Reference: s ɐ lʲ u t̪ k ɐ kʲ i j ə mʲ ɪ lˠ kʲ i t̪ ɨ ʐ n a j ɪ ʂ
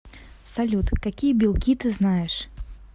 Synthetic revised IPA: s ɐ lʲ u t̪ k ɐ kʲ i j ə bʲ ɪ lˠ kʲ i t̪ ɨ z n a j ɪ ʂ